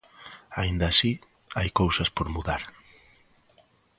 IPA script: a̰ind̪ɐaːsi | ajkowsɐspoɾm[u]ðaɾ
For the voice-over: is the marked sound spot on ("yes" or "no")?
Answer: yes